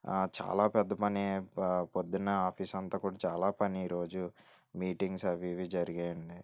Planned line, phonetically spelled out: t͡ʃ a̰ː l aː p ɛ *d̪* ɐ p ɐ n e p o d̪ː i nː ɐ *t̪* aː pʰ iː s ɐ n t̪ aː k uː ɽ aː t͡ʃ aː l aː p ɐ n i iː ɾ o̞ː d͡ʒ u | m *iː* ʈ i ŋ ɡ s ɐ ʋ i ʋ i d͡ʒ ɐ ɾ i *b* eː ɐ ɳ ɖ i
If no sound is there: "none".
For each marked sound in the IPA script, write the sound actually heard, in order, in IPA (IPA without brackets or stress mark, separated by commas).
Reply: d̪ː, none, iː, ɡ